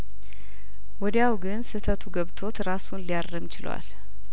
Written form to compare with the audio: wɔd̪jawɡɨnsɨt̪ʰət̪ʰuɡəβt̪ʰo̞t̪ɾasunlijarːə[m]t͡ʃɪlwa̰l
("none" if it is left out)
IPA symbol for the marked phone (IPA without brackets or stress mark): m